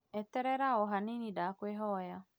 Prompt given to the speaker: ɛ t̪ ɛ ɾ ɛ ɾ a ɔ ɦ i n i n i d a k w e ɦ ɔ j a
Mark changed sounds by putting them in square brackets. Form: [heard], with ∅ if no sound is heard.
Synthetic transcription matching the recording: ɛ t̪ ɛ ɾ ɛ ɾ a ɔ ɦ [a] n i n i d a k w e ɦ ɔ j a

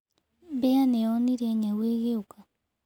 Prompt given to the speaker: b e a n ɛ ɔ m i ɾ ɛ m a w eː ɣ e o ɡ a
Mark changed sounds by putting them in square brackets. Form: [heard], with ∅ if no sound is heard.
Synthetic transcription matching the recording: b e a n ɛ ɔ [n] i ɾ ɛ [ɲ] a w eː ɣ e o [k] a

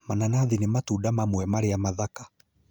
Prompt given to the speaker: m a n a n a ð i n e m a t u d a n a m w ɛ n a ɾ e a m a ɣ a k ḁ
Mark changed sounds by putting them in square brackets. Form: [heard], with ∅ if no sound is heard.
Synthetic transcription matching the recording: m a n a n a ð i n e m a t u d a [m] a m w ɛ [m] a ɾ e a m a [ð] a k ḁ

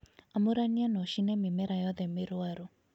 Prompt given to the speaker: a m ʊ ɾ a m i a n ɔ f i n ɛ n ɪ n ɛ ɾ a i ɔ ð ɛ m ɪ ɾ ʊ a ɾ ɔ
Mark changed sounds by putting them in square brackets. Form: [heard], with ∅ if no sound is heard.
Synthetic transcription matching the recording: a m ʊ ɾ a [n] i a n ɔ [ʃ] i n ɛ [m] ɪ [m] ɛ ɾ a [j] ɔ ð ɛ m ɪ ɾ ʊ a ɾ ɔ

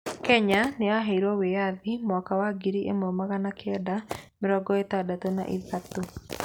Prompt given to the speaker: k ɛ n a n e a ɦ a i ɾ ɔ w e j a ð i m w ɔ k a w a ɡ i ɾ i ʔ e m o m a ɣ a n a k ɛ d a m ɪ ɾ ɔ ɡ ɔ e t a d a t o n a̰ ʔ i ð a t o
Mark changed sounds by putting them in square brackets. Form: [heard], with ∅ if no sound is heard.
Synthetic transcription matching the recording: k ɛ [ɲ] a n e a ɦ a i ɾ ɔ w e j a ð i m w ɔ k a w a ɡ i ɾ i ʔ e m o m a ɣ a n a k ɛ d a m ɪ ɾ ɔ ɡ ɔ e t a d a t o n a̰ ʔ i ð a t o

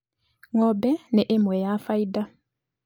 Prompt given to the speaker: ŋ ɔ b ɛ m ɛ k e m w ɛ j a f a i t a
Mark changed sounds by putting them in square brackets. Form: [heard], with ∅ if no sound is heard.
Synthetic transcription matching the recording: ŋ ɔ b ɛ [n] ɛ [ʔ] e m w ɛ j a f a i [d] a

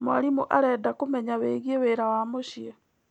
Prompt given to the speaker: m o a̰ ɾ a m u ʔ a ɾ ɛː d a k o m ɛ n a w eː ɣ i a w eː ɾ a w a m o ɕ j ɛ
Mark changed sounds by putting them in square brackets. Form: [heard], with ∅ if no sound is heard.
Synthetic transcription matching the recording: m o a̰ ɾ [i] m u ʔ a ɾ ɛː d a k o m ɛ [ɲ] a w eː ɣ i [e] w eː ɾ a w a m o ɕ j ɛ

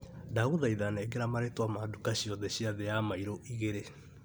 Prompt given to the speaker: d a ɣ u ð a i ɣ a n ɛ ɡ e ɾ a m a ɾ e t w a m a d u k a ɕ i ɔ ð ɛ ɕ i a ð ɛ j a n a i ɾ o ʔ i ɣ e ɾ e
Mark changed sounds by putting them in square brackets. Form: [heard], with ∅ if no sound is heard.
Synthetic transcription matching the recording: d a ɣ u ð a i [ð] a n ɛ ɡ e ɾ a m a ɾ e t w a m a d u k a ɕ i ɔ ð ɛ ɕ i a ð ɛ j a [m] a i ɾ o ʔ i ɣ e ɾ e

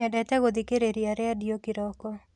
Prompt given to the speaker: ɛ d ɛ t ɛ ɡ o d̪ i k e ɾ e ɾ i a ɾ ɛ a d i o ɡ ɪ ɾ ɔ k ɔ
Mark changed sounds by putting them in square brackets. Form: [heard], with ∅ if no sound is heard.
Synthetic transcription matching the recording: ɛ d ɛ t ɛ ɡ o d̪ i k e ɾ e ɾ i a ɾ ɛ a d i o [k] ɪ ɾ ɔ k ɔ

